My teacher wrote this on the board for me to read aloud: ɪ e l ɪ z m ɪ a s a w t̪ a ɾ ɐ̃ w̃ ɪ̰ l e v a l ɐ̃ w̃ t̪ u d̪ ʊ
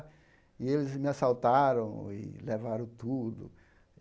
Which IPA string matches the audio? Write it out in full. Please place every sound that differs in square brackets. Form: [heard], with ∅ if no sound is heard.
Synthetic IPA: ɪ e l ɪ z m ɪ a s a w t̪ a ɾ ɐ̃ w̃ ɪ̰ l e v a [ɾ] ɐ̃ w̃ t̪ u d̪ ʊ